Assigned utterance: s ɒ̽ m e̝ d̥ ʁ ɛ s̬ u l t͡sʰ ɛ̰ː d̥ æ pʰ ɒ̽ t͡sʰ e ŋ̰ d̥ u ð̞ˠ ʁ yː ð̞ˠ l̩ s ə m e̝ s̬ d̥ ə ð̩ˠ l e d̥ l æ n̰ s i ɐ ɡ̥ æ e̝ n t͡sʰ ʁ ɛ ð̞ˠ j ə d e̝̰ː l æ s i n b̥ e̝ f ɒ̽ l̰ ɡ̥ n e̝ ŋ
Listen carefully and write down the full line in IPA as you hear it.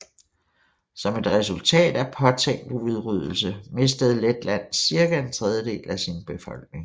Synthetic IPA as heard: s ɒ̽ m e̝ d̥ ʁ ɛ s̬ u l t͡sʰ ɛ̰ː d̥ æ pʰ ɒ̽ t͡sʰ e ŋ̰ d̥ u ð̞ˠ ʁ y ð̞ˠ l̩ s ə m e̝ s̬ d̥ ə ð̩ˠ l e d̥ l æ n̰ s i ɐ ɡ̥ æ e̝ n t͡sʰ ʁ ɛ ð̞ˠ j ə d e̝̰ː l æ s i n b̥ e̝ f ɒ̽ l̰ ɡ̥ n e̝ ŋ